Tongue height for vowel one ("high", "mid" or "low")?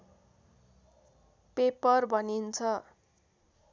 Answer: mid